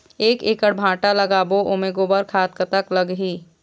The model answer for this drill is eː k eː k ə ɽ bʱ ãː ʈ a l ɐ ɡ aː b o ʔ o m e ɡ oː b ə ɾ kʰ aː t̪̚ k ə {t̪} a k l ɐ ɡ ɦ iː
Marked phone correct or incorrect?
correct